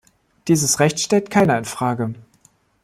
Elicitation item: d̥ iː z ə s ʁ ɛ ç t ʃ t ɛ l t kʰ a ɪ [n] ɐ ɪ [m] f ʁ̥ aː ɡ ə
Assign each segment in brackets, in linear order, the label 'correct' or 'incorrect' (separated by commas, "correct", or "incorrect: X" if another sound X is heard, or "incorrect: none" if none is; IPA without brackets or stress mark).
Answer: correct, incorrect: n